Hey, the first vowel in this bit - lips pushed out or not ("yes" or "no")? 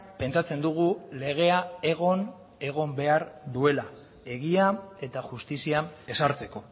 no